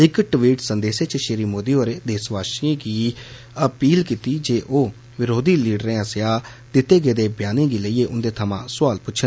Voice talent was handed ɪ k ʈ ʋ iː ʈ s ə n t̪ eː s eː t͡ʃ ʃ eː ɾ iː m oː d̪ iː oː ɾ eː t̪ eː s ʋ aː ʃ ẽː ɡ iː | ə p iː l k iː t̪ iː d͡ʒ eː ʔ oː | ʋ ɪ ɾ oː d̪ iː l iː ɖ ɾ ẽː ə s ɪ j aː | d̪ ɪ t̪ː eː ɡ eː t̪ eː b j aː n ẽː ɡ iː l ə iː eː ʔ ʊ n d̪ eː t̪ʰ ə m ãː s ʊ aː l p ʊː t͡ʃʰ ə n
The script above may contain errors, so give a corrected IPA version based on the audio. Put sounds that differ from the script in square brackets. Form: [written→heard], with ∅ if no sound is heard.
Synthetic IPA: ɪ k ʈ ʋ iː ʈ s ə n [t̪→d̪] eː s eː t͡ʃ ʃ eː ɾ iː m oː d̪ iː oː ɾ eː [t̪→d̪] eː s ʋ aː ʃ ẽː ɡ iː | ə p iː l k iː t̪ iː d͡ʒ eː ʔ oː | ʋ ɪ ɾ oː d̪ iː l iː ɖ ɾ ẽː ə s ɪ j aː | d̪ ɪ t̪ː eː ɡ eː [t̪→d̪] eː b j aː n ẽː ɡ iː l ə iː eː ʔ ʊ n d̪ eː t̪ʰ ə m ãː s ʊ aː l p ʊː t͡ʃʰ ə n